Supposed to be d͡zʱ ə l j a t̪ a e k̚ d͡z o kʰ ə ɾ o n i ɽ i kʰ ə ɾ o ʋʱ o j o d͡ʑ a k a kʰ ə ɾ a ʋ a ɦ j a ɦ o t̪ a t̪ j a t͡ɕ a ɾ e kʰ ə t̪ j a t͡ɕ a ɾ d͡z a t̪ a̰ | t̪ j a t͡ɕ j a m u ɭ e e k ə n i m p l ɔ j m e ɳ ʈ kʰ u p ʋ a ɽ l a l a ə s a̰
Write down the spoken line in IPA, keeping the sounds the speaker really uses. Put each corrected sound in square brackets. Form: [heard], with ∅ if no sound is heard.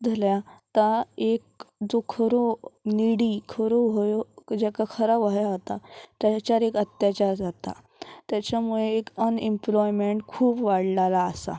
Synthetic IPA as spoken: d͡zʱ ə l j a t̪ a e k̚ d͡z o kʰ ə ɾ o n i ɽ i kʰ ə ɾ o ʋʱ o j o d͡ʑ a k a kʰ ə ɾ a ʋ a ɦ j a ɦ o t̪ a t̪ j a t͡ɕ a ɾ e [k] ə t̪ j a t͡ɕ a ɾ d͡z a t̪ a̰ | t̪ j a t͡ɕ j a m u ɭ e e k ə n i m p l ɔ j m e ɳ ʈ kʰ [uː] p ʋ a ɽ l a l a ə s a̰

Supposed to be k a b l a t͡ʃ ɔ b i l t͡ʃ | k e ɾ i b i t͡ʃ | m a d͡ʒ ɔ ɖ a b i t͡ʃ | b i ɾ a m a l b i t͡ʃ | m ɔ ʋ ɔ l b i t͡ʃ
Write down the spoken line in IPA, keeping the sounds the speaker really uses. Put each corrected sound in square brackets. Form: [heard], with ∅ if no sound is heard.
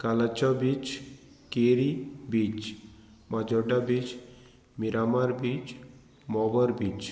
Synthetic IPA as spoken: k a [∅] l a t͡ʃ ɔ b i [∅] t͡ʃ | k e ɾ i b i t͡ʃ | m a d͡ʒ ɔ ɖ a b i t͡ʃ | [m] i ɾ a m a [ɾ] b i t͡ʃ | m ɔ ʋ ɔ [ɾ] b i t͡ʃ

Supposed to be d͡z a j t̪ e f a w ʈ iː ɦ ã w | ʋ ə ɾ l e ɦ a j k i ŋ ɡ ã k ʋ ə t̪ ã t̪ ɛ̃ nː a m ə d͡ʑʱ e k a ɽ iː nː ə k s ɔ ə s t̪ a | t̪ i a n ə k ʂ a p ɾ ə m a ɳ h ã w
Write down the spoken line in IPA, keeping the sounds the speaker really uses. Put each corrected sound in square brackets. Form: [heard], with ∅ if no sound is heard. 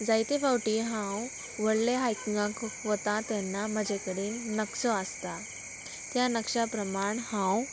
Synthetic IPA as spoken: d͡z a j t̪ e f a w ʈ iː ɦ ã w | ʋ ə [ɽ] l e ɦ a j k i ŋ ɡ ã k ʋ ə t̪ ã t̪ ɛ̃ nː a m ə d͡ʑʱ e k [ə] ɽ iː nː ə k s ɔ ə s t̪ a | t̪ [j] a n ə k ʂ a p ɾ ə m a ɳ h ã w

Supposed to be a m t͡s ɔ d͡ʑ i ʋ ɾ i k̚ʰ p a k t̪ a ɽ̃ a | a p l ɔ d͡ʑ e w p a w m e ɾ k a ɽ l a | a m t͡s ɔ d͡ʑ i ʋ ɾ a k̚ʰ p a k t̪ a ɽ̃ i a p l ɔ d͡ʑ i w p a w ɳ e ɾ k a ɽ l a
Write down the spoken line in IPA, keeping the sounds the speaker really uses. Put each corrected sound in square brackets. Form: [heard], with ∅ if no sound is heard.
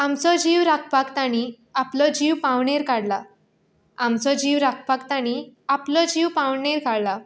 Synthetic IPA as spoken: a m t͡s ɔ d͡ʑ i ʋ ɾ [a] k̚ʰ p a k t̪ a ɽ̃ [i] | a p l ɔ d͡ʑ [i] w p a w [ɳ] e ɾ k a ɽ l a | a m t͡s ɔ d͡ʑ i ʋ ɾ a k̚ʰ p a k t̪ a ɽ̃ i a p l ɔ d͡ʑ i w p a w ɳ e ɾ k a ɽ l a

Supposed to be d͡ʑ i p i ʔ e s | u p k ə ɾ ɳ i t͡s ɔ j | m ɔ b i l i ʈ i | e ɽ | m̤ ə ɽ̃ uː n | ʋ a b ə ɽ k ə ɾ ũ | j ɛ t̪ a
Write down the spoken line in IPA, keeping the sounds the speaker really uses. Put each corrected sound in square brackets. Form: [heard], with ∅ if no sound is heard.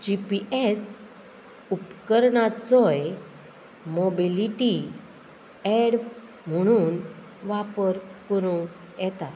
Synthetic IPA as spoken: d͡ʑ i p i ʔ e s | u p k ə ɾ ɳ [a] t͡s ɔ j | m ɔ b i l i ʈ i | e ɽ | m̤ ə ɽ̃ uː n | ʋ a [p] ə [ɾ] k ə ɾ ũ | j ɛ t̪ a

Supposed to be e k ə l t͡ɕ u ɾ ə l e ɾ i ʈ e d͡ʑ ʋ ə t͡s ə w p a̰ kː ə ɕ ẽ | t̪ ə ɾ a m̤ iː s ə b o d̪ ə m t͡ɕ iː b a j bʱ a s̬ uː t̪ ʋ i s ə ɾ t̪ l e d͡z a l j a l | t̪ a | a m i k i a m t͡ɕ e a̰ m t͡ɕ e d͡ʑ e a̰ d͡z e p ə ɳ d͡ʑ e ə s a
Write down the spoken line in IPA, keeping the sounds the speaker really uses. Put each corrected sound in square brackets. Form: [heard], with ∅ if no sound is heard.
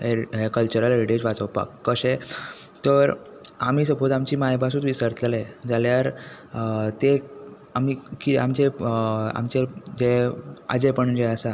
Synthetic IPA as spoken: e k ə l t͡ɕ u ɾ ə l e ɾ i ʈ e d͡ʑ ʋ [a] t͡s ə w p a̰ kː ə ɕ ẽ | t̪ ə ɾ a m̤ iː s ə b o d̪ [a] m t͡ɕ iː [m] a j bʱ a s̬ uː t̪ ʋ i s ə ɾ t̪ l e d͡z a l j a [ɾ] | t̪ [e] | a m i k i a m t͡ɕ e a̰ m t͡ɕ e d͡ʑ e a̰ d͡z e p ə ɳ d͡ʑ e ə s a

